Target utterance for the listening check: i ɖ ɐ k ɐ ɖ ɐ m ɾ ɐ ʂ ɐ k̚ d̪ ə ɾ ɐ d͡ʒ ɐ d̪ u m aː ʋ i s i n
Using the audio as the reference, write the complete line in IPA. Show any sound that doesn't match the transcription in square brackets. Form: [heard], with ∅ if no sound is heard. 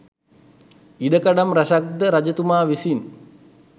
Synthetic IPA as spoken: i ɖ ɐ k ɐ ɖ ɐ m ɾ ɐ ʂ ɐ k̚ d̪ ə ɾ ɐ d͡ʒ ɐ [t̪] u m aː ʋ i s i n